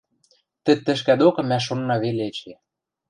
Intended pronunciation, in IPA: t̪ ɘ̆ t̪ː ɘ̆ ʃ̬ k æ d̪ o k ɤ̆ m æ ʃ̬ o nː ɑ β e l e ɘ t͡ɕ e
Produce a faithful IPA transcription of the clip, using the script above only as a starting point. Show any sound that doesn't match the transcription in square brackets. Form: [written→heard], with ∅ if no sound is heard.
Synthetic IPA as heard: t̪ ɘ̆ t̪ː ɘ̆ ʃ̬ k æ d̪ o k ɤ̆ m æ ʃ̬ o nː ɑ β e l e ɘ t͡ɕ e